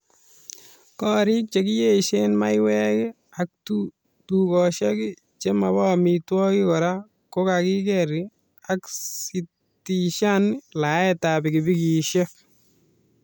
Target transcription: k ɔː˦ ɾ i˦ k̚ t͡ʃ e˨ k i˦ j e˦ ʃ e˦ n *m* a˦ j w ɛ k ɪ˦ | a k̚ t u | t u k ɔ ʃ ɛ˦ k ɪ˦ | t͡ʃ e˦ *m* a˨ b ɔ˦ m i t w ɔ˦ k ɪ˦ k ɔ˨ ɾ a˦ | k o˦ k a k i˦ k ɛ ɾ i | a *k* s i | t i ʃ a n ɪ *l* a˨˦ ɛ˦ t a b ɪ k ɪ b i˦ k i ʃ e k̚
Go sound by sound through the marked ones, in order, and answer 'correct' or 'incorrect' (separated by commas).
correct, correct, correct, correct